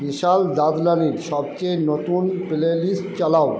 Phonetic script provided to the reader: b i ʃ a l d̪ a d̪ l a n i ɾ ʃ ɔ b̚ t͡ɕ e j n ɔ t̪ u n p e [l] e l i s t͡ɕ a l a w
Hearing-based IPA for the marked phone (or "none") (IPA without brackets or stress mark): l